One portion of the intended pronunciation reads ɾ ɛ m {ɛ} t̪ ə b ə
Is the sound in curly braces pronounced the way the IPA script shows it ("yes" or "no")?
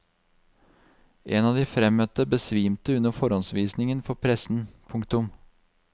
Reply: no